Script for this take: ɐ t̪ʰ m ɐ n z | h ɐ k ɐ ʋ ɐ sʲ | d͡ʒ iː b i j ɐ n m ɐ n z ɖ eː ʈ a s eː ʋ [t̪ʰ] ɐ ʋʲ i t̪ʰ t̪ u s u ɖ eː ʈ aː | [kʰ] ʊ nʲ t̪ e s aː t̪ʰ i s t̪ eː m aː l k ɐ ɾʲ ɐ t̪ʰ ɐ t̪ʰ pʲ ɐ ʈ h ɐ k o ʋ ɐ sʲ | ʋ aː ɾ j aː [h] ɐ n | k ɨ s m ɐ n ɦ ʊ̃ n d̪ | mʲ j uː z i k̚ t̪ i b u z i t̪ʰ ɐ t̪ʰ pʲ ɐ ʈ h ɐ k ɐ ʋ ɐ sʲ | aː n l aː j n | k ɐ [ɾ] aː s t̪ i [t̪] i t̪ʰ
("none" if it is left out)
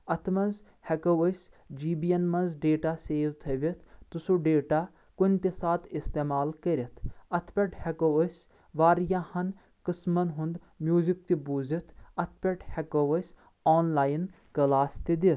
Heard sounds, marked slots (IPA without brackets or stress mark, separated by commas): t̪ʰ, k, h, l, d̪